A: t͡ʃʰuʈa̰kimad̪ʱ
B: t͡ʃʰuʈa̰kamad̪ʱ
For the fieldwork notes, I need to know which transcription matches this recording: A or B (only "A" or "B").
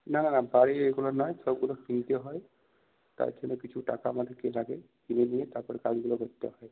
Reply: B